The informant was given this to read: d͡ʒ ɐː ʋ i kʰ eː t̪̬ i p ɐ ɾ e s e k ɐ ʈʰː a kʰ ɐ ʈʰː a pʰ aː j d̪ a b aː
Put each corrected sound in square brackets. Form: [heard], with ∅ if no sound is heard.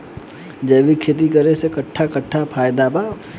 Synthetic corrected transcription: d͡ʒ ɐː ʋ i kʰ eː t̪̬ i [k] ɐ ɾ e s e k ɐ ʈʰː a [k] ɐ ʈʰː a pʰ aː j d̪ a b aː